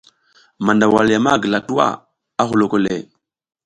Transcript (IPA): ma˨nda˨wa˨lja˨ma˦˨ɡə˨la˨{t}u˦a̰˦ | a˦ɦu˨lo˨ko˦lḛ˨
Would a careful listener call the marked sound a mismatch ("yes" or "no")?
no